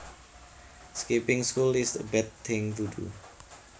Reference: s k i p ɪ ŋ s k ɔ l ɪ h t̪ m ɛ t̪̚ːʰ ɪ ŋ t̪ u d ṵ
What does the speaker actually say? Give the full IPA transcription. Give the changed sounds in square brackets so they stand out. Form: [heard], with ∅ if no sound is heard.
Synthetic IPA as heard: s k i p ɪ ŋ s k [u] l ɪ [s] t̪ [b] ɛ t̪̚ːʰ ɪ ŋ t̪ u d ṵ

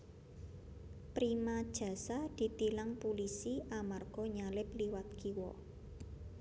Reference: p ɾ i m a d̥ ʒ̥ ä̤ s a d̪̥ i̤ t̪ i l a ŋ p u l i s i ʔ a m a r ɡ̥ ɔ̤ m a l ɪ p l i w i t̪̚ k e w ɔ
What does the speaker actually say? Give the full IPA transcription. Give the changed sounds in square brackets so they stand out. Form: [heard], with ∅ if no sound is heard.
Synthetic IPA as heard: p ɾ i m a d̥ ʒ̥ ä̤ s a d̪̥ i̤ t̪ i l a ŋ p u l i s i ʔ a m a r ɡ̥ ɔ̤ [ɲ] a l ɪ p l i w [a] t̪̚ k [i] w ɔ

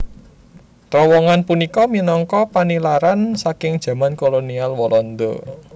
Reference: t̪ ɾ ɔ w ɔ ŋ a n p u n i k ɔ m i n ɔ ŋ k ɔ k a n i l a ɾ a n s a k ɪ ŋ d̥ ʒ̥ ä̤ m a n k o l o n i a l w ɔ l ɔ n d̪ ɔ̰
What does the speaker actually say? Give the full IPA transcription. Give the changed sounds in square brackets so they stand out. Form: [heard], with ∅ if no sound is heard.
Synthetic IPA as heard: t̪ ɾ ɔ w ɔ ŋ a n p u n i k ɔ m i n ɔ ŋ k ɔ [p] a n i l a ɾ a n s a k ɪ ŋ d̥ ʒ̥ ä̤ m a n k o l o n i a l w ɔ l ɔ n d̪ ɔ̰

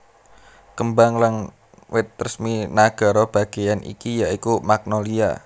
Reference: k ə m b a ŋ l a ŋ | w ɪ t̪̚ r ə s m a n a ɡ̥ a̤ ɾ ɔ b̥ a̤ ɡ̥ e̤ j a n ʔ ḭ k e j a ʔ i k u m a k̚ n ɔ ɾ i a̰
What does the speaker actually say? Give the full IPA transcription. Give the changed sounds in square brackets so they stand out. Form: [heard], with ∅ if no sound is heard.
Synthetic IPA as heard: k ə m b a ŋ l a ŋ | w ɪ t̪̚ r ə s m [i] n a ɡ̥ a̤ ɾ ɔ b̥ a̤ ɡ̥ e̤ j a n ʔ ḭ k [i] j a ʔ i k u m a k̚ n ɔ [l] i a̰

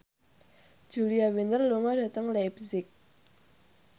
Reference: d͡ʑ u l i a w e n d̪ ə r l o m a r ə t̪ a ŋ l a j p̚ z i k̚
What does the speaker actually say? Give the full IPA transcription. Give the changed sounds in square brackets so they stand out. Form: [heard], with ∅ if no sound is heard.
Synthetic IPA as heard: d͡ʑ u l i a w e n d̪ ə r l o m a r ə t̪ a ŋ l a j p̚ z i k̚

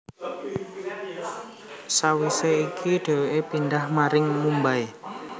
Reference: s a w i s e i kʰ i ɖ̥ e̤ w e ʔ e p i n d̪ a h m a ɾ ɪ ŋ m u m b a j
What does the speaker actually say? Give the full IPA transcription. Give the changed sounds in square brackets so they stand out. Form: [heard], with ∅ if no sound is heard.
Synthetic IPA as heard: s a w i s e i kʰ i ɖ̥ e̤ w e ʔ e p i n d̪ a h m a ɾ ɪ ŋ m u m b a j

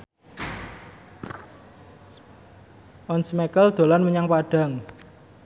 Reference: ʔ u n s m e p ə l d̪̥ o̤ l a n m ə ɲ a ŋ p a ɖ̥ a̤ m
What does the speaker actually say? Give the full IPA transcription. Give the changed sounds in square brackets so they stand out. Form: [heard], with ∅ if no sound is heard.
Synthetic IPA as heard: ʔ [ɔ] n s m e [k] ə l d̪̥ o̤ l a n m ə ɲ a ŋ p a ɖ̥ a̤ [ŋ]

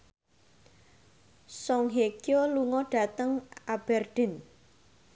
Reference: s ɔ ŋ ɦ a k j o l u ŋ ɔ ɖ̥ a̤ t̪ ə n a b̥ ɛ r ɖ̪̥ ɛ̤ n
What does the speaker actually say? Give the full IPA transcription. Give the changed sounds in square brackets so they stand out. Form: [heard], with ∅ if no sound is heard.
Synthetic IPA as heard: s ɔ ŋ ɦ [e] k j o l u ŋ ɔ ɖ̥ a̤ t̪ ə [ŋ] a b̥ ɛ r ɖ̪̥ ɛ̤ n

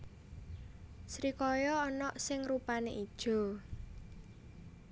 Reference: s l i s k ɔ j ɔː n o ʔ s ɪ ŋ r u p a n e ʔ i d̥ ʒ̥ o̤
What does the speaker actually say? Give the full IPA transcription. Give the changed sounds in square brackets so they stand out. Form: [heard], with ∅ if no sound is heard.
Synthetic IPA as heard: s [ɾ] i [∅] k ɔ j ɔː n [ɔ] ʔ s ɪ ŋ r u p a n e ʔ i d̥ ʒ̥ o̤

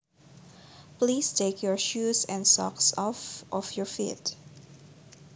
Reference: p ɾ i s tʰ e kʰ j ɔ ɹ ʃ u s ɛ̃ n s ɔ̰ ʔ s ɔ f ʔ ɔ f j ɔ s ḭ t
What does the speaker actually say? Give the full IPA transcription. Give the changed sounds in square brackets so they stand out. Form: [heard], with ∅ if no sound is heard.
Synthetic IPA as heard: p [l] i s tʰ e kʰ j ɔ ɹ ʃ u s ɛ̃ n s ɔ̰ [k] s ɔ f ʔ ɔ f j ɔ [f] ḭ t

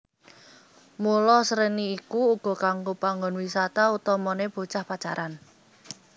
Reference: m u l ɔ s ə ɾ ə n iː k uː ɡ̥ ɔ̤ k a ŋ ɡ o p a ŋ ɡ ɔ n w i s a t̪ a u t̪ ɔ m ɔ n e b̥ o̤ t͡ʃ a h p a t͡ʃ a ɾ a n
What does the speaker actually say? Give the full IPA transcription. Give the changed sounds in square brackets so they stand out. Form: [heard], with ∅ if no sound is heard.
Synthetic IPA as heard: m u l ɔ s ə ɾ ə n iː k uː ɡ̥ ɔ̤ k a ŋ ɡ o p a ŋ ɡ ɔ n w i s a t̪ a u t̪ ɔ m ɔ n e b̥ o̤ t͡ʃ a h p a t͡ʃ a ɾ a n

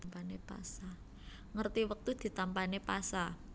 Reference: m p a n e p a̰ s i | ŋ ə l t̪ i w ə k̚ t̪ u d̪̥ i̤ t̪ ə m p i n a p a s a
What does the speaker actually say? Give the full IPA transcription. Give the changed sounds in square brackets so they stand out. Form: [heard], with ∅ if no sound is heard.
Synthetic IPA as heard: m p a n e p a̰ s [a] | ŋ ə [r] t̪ i w ə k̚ t̪ u d̪̥ i̤ t̪ [a] m p [a] n [e] p a s a

